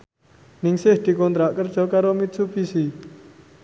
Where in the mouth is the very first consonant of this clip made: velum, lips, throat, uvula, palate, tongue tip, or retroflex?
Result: tongue tip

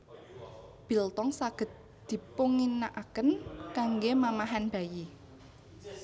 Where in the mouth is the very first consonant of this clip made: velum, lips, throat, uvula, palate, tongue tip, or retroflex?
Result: lips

